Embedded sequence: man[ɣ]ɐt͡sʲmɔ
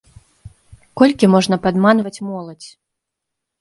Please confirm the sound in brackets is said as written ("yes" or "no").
no